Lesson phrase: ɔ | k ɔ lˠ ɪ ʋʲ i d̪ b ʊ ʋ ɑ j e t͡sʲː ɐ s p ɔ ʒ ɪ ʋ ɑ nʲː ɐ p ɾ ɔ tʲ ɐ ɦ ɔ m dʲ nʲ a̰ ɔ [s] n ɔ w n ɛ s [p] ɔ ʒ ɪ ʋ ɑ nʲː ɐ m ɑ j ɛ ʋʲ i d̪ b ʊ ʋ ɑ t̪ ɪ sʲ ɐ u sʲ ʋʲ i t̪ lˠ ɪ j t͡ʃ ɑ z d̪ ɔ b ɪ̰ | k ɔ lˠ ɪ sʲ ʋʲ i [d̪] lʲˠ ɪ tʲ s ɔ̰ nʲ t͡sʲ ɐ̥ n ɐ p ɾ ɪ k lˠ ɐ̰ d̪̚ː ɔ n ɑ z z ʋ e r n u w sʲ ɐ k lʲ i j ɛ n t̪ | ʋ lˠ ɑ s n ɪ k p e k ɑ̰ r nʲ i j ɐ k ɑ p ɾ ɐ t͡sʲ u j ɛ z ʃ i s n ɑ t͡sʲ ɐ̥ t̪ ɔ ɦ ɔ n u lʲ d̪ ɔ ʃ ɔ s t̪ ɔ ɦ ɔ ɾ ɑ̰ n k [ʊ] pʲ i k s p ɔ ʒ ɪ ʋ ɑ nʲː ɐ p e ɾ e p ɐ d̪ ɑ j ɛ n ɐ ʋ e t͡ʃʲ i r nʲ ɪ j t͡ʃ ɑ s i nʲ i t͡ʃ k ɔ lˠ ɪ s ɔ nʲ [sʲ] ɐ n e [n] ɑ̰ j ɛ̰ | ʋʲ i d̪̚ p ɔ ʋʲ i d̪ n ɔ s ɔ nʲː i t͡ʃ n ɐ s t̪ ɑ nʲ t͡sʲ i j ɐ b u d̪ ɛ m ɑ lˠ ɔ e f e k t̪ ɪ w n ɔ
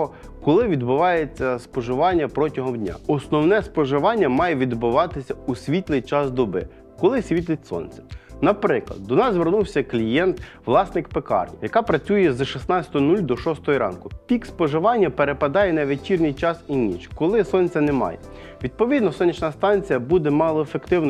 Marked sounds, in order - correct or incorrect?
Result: correct, correct, incorrect: t̪, correct, incorrect: t͡sʲ, incorrect: m

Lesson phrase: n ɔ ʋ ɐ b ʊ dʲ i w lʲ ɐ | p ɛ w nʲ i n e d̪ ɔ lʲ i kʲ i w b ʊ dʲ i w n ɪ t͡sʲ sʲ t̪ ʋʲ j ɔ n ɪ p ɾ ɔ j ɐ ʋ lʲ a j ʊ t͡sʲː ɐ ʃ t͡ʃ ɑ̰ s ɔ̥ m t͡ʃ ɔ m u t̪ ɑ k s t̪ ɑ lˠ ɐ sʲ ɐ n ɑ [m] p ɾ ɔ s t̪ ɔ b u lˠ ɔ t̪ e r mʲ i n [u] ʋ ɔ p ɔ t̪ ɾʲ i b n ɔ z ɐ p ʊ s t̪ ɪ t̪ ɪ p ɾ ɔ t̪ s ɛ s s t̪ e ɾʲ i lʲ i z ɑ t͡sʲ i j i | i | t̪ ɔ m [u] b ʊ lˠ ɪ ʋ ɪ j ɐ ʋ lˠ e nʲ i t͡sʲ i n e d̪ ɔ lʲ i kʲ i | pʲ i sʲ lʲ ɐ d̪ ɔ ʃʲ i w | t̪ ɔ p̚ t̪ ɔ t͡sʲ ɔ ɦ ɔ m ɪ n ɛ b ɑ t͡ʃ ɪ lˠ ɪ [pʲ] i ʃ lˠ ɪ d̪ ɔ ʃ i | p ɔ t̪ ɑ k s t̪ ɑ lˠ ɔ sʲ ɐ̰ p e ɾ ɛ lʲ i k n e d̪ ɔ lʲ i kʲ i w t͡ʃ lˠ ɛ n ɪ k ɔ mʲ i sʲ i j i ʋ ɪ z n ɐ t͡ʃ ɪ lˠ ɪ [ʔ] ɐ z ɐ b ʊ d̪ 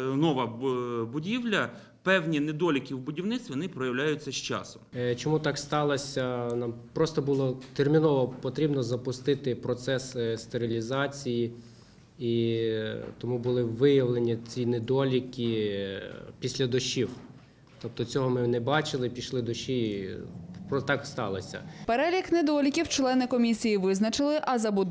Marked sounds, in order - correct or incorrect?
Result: correct, incorrect: ɔ, correct, correct, correct

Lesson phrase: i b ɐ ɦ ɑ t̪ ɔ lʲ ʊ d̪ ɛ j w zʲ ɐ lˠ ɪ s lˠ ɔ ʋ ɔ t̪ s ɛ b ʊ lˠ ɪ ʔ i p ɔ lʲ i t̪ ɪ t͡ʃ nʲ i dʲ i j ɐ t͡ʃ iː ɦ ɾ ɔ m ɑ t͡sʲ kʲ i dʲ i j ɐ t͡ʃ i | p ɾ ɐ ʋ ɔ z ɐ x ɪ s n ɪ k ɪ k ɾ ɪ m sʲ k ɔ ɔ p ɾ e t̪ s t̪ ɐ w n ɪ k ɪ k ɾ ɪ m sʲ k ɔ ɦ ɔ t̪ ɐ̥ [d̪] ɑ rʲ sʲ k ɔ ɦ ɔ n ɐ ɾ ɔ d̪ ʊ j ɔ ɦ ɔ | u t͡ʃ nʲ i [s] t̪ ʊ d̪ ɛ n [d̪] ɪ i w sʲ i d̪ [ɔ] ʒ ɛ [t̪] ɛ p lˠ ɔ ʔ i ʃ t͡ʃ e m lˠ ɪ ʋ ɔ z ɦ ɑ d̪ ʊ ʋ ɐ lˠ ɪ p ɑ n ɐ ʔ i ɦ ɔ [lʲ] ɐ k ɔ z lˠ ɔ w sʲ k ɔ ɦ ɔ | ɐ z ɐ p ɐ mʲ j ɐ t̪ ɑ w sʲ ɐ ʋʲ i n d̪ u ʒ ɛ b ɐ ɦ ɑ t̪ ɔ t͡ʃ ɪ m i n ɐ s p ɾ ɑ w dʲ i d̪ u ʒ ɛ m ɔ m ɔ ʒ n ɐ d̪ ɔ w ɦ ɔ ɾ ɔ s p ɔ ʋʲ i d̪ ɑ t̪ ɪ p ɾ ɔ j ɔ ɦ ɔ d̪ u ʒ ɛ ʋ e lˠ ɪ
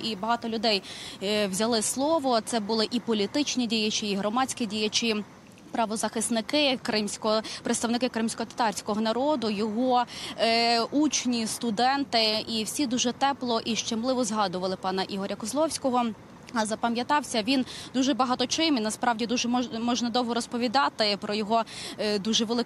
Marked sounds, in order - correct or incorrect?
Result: incorrect: t̪, correct, incorrect: t̪, incorrect: u, correct, incorrect: ɾʲ

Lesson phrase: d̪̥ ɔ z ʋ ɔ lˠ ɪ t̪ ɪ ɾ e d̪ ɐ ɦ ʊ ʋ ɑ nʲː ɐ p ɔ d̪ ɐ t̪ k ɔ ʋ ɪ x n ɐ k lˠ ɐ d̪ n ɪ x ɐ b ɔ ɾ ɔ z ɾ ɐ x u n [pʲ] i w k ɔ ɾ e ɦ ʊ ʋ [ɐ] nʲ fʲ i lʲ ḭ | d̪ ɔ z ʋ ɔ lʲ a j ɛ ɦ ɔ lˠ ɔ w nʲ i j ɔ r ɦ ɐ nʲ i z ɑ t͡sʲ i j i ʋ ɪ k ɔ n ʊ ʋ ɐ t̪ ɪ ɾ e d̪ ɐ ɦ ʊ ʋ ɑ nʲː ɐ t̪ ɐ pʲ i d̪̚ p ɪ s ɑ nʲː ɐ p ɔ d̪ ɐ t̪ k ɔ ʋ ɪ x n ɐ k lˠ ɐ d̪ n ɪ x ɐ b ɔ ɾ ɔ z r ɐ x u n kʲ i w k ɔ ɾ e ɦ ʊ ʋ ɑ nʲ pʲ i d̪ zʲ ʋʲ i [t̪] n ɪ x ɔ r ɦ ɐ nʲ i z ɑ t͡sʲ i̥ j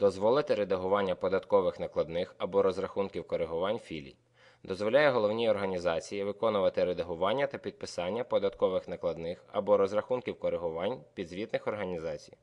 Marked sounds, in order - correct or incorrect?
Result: incorrect: kʲ, incorrect: ɑ, correct

